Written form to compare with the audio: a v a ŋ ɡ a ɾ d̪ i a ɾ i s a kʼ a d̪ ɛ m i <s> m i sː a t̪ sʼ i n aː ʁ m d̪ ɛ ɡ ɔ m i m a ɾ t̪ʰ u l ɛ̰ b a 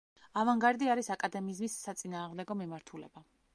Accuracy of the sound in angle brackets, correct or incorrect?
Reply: incorrect